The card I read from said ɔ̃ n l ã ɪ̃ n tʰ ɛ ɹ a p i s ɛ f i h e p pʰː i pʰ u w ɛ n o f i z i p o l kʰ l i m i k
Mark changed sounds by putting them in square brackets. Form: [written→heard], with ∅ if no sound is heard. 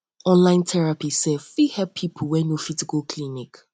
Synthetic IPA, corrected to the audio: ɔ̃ n l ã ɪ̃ n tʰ ɛ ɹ a p i s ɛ f i h [e→ɛ] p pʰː i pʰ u w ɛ n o f i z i [p→k] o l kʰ l i [m→n] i k